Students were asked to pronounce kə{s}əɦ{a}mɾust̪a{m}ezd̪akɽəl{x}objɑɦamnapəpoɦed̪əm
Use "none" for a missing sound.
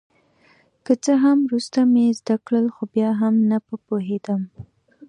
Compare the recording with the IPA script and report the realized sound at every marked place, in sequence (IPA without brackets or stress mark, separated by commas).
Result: t͡s, a, m, x